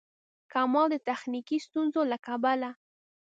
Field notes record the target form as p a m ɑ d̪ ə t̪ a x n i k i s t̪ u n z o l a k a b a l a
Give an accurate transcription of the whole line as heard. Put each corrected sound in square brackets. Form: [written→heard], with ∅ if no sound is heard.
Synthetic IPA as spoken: [p→k] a m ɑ d̪ ə t̪ a x n i k i s t̪ u n z o l a k a b a l a